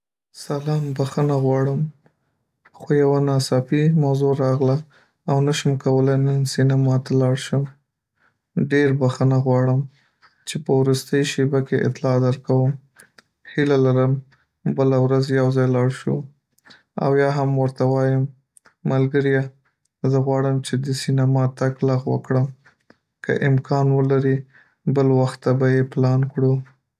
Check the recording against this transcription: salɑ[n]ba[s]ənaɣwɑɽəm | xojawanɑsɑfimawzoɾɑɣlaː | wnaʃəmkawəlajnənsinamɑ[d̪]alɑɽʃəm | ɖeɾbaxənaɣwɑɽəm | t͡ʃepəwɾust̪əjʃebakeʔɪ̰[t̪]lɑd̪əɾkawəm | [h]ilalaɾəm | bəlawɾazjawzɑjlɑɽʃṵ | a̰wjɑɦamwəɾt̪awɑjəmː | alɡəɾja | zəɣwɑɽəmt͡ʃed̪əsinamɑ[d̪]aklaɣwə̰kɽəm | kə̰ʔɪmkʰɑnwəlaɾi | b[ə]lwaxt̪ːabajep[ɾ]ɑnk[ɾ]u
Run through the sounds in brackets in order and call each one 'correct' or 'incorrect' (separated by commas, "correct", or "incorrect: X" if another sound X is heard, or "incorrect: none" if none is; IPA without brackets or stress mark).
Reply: incorrect: m, incorrect: x, incorrect: t̪, correct, correct, incorrect: t̪, correct, incorrect: l, incorrect: ɽ